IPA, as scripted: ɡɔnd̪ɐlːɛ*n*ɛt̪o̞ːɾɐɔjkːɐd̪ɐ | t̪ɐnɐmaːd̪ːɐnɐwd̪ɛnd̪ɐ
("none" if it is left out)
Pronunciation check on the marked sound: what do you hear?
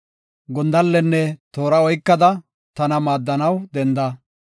nː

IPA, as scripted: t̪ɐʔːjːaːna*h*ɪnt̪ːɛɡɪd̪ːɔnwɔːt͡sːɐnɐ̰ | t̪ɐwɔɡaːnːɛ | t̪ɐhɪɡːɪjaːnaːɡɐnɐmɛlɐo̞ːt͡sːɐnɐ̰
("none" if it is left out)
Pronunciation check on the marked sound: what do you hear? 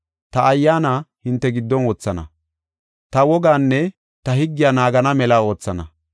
h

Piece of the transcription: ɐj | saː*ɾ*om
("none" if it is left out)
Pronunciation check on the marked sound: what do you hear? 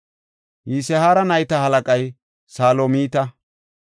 l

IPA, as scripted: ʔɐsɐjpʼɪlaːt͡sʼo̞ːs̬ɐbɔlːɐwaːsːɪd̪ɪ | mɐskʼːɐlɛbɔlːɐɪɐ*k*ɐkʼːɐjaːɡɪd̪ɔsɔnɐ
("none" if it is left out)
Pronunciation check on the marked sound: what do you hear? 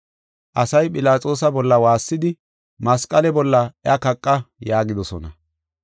k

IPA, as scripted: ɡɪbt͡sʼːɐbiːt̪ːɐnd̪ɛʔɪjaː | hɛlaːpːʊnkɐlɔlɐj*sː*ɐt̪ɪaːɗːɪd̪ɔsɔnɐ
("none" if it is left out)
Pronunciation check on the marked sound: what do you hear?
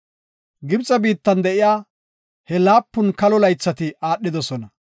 t͡sː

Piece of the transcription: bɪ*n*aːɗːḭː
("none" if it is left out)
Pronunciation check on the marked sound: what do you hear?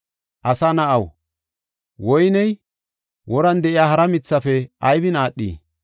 n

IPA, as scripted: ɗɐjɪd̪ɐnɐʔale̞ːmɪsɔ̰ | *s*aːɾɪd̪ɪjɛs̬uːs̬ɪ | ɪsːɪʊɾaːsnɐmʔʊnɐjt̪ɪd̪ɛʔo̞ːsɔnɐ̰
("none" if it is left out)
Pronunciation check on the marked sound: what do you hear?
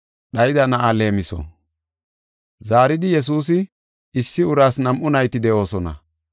z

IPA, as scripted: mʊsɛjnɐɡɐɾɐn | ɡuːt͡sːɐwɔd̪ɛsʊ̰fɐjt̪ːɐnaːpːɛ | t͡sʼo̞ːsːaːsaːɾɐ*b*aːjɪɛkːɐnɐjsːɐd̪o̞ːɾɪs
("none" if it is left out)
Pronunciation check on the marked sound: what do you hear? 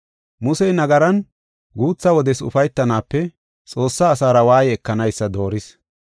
w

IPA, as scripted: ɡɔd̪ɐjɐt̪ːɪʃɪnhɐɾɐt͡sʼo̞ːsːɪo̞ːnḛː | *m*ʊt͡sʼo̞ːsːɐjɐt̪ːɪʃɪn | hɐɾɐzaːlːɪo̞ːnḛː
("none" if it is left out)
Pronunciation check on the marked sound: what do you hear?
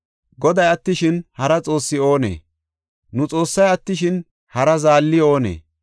n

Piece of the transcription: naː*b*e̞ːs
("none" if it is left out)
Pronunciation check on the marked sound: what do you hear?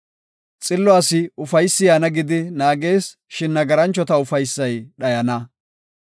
ɡ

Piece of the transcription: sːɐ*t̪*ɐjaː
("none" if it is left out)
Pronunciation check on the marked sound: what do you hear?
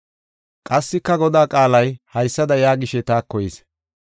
d̪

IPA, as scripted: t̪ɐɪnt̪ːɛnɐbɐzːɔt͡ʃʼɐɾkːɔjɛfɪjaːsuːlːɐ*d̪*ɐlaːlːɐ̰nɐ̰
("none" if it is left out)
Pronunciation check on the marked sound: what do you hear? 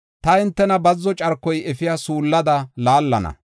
d̪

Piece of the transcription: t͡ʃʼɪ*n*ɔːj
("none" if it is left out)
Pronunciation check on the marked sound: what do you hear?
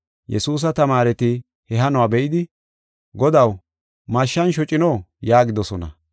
n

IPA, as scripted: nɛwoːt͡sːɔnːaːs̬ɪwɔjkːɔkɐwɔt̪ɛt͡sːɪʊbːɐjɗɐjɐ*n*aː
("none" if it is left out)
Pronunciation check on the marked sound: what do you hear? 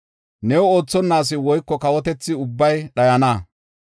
n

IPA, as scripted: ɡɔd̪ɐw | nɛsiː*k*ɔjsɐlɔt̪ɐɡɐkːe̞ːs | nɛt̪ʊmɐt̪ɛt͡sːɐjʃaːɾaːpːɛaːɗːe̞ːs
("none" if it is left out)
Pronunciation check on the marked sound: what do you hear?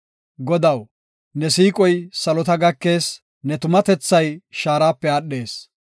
kʼ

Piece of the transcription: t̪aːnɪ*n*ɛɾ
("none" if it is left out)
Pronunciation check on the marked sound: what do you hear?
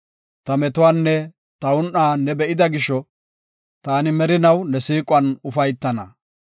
m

